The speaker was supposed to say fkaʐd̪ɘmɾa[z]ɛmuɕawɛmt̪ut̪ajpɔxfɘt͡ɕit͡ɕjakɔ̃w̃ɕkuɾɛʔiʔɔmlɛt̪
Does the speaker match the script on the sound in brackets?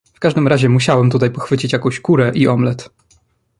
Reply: no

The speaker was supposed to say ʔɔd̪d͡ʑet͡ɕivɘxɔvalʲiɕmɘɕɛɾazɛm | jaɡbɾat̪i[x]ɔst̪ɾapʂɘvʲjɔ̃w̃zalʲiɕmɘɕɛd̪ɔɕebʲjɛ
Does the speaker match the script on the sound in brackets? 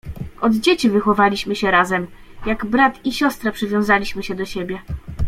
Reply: no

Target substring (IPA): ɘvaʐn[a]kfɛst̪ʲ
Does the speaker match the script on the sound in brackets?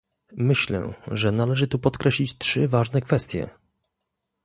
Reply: no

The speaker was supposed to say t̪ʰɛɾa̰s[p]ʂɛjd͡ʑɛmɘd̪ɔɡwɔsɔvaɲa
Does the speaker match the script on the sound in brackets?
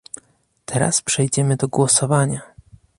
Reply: yes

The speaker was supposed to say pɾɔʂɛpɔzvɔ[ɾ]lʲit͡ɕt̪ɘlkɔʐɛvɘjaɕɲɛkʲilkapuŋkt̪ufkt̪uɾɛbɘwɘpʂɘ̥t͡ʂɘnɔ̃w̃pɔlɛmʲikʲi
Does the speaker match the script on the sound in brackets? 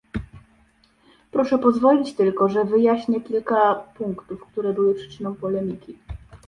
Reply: no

